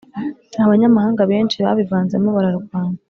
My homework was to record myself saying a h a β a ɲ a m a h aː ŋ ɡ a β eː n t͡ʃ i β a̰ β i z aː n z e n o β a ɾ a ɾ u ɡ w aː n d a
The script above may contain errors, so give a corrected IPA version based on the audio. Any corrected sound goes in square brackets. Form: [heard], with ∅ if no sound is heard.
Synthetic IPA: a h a β a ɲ a m a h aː ŋ ɡ a β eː n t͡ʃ i β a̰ β i [v] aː n z e [m] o β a ɾ a ɾ u ɡ w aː n d a